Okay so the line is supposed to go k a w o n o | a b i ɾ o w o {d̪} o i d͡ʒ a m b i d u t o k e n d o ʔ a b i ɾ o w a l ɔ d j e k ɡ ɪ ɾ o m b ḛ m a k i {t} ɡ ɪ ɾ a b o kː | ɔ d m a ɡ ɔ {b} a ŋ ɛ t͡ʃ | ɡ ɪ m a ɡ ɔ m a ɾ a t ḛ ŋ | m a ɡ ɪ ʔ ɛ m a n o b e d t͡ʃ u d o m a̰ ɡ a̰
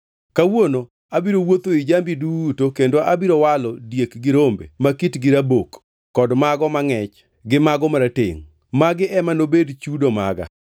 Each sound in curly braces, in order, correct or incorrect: incorrect: t̪, correct, incorrect: m

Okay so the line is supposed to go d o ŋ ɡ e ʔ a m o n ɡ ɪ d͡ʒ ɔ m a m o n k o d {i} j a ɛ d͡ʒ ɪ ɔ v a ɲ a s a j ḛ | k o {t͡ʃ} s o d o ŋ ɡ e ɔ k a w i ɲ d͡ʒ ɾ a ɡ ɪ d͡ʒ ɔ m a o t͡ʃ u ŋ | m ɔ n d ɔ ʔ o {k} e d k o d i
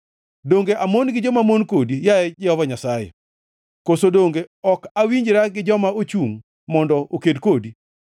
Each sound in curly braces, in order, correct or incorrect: correct, incorrect: none, correct

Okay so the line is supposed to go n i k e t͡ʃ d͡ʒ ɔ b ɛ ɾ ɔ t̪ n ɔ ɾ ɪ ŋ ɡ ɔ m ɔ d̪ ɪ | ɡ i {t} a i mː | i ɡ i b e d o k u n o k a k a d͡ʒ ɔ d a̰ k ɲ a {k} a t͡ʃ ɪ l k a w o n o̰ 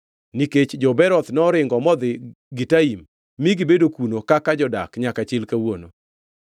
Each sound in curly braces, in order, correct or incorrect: correct, correct

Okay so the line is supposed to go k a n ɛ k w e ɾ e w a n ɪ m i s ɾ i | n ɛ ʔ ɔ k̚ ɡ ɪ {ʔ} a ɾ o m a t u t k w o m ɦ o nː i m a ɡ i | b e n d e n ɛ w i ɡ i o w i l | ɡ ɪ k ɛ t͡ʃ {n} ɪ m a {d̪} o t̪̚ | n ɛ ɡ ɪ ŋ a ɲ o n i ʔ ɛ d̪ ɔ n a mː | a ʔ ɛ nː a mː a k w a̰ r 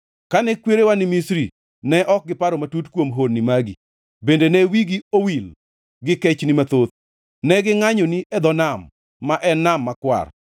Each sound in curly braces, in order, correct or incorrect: incorrect: p, correct, incorrect: t̪

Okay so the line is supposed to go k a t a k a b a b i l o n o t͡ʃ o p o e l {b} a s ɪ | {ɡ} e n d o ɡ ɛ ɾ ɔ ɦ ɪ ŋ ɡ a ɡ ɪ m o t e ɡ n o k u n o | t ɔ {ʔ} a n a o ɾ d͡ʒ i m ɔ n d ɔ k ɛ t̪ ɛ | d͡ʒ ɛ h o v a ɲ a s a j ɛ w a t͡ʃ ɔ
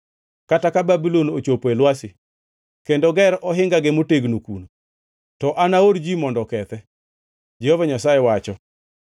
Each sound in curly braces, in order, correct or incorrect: incorrect: w, incorrect: k, correct

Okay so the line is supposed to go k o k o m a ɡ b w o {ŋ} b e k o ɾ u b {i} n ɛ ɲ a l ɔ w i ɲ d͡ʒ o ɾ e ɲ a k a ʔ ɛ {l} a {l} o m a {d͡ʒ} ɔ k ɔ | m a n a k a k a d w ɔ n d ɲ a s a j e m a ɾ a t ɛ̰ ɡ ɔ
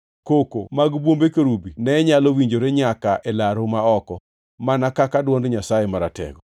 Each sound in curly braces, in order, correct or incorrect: incorrect: m, correct, correct, incorrect: ɾ, incorrect: none

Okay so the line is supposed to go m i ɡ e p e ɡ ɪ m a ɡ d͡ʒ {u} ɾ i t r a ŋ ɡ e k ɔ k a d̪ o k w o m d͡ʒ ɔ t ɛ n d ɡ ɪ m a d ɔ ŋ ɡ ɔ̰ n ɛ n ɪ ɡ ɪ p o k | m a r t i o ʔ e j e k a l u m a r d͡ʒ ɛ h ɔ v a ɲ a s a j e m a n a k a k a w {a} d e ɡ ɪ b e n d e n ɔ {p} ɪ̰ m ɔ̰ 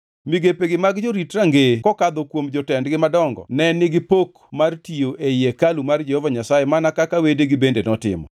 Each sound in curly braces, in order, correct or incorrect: incorrect: o, incorrect: e, incorrect: t

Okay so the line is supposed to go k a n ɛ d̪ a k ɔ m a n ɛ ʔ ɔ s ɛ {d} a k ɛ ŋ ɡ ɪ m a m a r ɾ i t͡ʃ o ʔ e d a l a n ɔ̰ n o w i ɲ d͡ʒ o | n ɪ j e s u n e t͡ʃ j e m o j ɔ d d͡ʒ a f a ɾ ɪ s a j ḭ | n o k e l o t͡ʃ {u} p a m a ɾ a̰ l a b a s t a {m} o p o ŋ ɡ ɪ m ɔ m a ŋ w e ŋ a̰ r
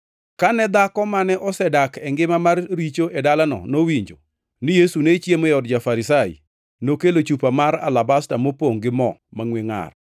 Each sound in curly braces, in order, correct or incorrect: correct, correct, correct

